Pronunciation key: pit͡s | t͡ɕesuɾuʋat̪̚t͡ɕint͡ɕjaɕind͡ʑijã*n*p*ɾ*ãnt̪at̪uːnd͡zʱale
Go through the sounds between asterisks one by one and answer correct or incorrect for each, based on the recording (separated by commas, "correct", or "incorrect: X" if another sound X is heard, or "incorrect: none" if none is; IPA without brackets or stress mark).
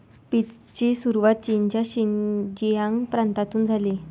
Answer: incorrect: ŋ, correct